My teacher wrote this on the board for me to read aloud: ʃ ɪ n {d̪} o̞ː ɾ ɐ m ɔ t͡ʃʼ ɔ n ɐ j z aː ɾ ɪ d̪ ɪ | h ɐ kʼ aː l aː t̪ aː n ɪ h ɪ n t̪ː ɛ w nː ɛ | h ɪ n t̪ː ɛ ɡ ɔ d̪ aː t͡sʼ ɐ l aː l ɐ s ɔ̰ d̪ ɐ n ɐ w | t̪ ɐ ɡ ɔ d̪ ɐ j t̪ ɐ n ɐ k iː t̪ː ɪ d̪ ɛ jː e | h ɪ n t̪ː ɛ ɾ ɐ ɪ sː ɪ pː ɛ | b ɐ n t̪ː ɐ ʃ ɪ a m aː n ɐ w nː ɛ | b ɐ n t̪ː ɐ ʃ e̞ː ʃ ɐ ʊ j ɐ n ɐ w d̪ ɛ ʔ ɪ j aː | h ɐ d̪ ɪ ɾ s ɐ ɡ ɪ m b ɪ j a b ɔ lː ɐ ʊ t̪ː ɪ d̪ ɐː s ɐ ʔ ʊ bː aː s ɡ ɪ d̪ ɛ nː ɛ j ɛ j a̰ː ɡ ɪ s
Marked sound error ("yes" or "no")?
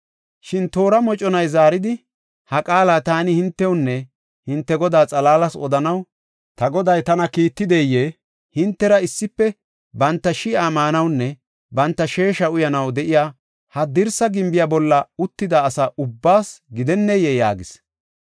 yes